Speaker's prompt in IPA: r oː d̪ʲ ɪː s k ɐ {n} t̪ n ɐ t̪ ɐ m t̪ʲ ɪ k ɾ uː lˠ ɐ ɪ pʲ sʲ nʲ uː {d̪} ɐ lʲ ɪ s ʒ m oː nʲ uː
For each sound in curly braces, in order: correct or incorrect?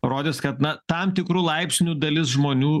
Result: incorrect: none, correct

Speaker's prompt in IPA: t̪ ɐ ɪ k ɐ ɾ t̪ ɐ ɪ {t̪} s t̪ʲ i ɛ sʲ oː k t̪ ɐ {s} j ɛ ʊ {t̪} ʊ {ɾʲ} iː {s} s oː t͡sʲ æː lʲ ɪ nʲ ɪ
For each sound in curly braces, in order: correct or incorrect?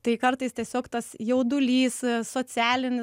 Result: incorrect: none, correct, incorrect: d̪, incorrect: lʲ, correct

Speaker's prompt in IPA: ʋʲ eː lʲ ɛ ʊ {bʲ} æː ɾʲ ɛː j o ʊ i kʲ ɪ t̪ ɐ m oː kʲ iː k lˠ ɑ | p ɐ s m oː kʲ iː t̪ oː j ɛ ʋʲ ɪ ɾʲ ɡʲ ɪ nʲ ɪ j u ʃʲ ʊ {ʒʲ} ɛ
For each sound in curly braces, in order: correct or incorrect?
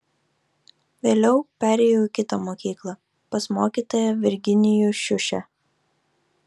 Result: incorrect: pʲ, incorrect: ʃʲ

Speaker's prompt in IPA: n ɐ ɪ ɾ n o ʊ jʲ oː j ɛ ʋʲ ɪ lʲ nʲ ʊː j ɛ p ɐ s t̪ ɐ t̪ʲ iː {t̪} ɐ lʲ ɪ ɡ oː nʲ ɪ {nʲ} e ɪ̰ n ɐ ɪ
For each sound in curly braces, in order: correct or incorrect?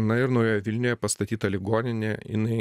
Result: correct, correct

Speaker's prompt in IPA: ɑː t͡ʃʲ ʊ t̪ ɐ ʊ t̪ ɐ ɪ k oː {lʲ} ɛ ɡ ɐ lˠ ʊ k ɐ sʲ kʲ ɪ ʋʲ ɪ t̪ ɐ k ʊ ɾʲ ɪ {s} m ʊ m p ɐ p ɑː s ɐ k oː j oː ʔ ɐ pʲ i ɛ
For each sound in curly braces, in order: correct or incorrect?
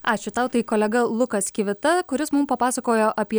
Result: correct, correct

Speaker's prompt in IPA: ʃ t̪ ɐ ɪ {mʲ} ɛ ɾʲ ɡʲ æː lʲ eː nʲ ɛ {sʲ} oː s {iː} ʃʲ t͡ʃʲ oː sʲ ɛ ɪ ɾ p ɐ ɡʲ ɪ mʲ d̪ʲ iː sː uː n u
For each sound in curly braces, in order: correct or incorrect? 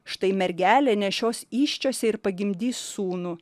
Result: correct, incorrect: ʃʲ, correct

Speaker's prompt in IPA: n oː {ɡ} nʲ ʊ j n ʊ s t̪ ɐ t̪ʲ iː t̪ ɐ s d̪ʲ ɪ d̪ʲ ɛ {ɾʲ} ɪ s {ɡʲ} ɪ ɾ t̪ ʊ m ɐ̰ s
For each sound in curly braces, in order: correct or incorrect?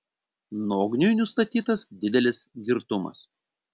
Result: correct, incorrect: lʲ, correct

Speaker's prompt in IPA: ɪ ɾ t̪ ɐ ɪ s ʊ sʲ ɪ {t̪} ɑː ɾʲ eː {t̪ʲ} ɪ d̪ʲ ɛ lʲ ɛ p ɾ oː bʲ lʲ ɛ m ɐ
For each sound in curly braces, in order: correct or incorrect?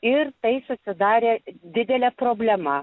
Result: incorrect: d̪, incorrect: d̪ʲ

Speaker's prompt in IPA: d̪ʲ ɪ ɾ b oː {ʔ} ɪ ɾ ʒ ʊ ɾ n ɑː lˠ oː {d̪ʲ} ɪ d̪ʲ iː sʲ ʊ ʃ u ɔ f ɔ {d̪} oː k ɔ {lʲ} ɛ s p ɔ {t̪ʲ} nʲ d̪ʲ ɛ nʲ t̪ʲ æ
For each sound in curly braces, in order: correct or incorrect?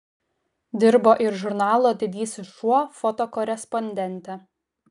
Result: correct, correct, incorrect: t̪, incorrect: ɾʲ, incorrect: none

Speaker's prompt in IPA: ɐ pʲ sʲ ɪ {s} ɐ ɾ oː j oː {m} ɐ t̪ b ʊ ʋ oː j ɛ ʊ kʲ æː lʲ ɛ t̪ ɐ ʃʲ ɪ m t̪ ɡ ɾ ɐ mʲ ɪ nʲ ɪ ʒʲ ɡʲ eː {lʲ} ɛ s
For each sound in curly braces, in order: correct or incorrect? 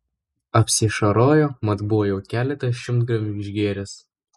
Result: incorrect: ʃ, correct, incorrect: ɾʲ

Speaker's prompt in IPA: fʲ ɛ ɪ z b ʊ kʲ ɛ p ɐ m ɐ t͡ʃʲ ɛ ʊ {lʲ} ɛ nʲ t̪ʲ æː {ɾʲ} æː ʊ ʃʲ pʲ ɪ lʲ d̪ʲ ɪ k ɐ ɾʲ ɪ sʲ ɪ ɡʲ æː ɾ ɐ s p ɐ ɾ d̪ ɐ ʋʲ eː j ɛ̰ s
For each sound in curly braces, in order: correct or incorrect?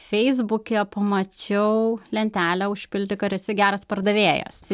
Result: correct, incorrect: lʲ

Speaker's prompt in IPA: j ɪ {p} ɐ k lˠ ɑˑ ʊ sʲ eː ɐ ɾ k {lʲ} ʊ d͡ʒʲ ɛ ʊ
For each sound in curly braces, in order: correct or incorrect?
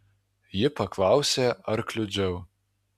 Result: correct, correct

